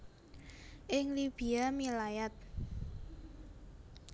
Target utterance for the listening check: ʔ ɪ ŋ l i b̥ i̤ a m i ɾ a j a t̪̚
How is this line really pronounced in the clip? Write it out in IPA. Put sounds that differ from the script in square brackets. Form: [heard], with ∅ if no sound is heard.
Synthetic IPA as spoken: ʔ ɪ ŋ l i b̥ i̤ a m i [l] a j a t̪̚